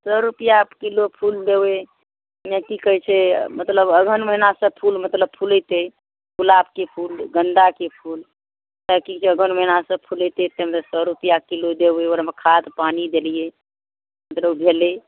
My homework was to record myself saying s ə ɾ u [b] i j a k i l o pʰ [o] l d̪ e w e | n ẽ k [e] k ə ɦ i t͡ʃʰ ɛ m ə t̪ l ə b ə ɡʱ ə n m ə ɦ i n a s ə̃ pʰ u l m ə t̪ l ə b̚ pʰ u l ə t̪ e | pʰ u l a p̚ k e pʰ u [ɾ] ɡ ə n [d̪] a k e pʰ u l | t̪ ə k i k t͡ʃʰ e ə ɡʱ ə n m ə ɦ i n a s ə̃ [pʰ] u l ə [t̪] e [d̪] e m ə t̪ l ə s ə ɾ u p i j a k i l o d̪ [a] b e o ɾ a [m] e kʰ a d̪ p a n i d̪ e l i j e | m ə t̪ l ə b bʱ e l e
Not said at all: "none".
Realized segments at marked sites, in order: p, u, i, l, d̪, pʰ, t̪, t̪, e, m

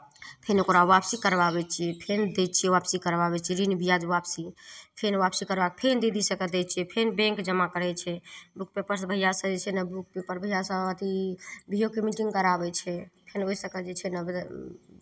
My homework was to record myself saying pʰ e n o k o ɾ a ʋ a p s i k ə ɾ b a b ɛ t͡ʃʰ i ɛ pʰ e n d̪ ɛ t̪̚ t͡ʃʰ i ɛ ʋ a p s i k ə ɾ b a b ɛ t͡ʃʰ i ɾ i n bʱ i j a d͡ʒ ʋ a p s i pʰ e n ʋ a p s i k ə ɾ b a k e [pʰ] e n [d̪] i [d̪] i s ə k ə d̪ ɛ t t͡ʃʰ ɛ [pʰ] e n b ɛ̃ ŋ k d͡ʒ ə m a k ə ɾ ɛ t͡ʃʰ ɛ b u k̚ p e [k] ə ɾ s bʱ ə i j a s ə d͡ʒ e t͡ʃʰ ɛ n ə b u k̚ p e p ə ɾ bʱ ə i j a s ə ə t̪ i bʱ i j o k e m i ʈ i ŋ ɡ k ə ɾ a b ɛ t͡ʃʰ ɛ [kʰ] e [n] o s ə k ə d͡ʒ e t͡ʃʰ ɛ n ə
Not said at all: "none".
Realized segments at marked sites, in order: pʰ, d̪, d̪, pʰ, p, pʰ, n

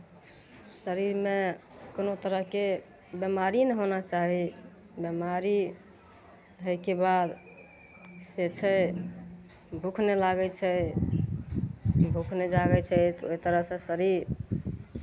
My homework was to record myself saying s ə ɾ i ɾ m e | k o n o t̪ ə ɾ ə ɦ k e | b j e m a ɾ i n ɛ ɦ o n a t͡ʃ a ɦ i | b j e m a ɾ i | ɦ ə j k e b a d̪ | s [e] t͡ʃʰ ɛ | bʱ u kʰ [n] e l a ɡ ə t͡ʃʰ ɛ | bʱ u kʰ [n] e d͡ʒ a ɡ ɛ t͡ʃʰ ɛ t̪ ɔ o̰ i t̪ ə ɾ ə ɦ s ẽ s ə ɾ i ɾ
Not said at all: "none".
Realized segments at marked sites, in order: e, n, n

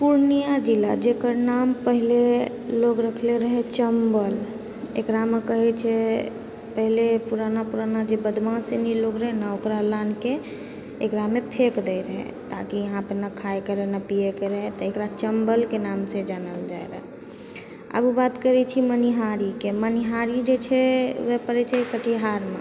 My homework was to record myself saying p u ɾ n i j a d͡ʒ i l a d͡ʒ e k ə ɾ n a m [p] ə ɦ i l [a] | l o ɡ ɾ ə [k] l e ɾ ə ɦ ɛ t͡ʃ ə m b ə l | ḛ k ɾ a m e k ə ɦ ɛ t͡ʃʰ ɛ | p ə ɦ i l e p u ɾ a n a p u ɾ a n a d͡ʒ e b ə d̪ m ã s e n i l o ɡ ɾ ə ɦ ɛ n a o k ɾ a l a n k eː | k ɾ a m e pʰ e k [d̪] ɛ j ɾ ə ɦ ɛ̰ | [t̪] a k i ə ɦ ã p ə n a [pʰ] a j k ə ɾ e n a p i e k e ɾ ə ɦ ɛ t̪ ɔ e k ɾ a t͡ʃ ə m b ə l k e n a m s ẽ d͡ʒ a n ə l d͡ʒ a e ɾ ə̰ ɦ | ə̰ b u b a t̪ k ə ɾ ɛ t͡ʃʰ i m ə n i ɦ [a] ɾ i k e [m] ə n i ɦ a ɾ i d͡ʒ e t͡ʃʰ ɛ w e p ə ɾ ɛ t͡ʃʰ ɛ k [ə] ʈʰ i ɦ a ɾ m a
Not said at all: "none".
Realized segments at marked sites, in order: p, e, kʰ, d̪, t̪, kʰ, a, m, ə

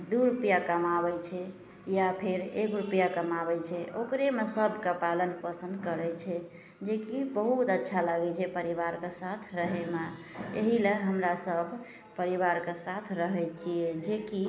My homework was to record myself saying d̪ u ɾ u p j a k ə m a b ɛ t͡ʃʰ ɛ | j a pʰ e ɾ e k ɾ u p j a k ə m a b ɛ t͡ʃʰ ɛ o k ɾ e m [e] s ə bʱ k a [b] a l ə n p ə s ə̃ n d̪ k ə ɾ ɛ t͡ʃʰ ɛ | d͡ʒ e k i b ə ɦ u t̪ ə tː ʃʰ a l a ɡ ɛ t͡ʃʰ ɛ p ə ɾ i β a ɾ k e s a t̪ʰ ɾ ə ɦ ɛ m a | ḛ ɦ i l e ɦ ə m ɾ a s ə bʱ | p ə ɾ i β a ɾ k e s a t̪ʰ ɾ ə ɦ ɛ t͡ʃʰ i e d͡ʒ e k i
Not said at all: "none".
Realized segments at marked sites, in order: e, p

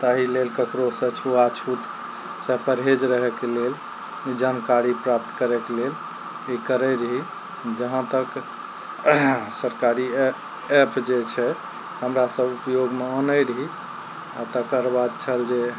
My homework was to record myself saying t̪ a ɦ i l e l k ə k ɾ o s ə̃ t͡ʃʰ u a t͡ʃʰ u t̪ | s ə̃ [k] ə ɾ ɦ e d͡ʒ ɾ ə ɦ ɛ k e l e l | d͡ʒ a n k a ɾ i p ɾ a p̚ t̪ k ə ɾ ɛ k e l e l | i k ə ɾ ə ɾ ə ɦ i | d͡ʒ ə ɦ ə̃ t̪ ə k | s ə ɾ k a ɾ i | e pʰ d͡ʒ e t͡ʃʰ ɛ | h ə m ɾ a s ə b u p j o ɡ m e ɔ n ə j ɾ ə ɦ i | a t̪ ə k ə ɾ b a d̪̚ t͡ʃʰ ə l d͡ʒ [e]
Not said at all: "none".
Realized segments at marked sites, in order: p, e

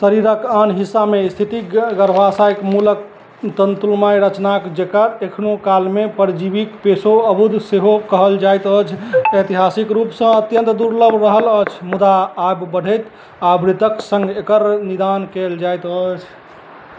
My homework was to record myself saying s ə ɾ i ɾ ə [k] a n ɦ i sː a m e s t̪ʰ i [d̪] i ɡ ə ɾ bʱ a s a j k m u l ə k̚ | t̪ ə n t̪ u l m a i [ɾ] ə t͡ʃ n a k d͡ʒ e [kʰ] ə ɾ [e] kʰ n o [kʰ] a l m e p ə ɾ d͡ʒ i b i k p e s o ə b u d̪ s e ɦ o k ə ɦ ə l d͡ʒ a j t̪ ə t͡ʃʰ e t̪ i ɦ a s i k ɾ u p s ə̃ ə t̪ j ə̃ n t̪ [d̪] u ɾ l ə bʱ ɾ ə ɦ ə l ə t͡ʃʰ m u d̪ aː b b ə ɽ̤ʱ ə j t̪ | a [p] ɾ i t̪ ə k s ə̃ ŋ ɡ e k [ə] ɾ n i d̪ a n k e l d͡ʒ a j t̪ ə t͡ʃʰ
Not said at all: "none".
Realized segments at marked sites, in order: k, t̪, ɾ, k, e, k, d̪, b, ə

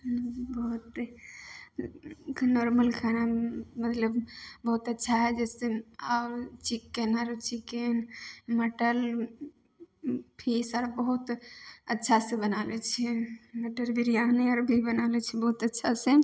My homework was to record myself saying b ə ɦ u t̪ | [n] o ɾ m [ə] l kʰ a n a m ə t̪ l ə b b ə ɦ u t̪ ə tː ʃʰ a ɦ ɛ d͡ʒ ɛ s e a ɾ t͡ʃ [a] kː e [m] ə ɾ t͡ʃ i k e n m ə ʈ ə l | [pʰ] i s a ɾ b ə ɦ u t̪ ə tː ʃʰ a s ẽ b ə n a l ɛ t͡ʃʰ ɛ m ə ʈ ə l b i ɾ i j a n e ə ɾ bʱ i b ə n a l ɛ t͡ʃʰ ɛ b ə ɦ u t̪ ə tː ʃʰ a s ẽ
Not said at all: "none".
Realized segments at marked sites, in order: n, ə, i, n, pʰ

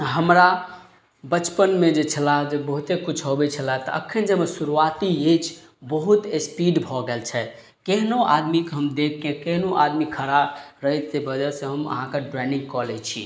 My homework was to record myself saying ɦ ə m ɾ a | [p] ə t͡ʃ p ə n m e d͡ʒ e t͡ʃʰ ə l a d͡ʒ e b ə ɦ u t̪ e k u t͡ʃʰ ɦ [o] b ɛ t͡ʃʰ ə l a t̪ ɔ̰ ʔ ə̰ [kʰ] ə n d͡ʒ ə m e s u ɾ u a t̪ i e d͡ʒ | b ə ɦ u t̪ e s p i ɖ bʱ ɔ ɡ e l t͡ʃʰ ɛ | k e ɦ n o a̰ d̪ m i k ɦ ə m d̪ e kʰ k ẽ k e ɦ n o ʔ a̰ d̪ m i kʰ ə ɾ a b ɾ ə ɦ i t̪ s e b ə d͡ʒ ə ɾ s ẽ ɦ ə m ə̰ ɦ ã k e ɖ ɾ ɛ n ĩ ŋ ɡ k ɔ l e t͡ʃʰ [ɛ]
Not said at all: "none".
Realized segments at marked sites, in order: b, o, kʰ, i

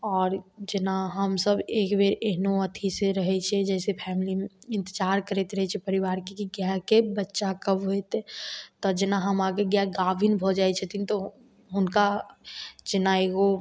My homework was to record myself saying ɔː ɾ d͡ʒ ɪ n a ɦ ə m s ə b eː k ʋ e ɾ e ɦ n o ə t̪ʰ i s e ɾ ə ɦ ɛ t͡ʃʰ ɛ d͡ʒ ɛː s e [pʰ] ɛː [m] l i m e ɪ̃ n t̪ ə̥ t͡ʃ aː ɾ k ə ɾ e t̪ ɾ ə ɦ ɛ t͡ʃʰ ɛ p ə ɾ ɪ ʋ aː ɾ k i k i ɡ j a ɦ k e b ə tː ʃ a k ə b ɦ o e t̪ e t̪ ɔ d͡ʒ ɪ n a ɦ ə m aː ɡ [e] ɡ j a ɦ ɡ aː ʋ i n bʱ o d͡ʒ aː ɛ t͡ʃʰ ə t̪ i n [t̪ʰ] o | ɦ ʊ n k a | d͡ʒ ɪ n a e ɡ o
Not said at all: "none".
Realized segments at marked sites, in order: pʰ, m, e, t̪

